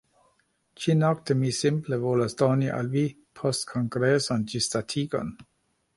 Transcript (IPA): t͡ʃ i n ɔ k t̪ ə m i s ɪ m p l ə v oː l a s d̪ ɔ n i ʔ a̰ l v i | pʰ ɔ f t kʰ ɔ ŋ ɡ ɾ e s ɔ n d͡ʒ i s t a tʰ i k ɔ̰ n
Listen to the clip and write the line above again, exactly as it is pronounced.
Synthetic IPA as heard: t͡ʃ i n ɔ k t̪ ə m i s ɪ m p l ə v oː l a s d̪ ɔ n i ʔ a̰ l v i | pʰ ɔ s t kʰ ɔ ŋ ɡ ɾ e s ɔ n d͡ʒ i s t a tʰ i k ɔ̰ n